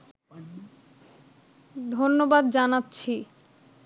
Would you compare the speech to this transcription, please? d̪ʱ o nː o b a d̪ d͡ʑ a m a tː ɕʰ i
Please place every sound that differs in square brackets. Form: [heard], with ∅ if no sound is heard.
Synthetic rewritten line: d̪ʱ o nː o b a d̪ d͡ʑ a [n] a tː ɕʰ i